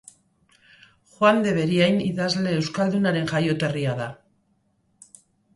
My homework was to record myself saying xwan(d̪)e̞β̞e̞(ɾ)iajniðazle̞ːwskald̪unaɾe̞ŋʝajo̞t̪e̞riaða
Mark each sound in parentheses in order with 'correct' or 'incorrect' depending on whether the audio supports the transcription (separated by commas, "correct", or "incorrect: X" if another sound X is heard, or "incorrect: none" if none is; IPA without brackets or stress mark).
correct, correct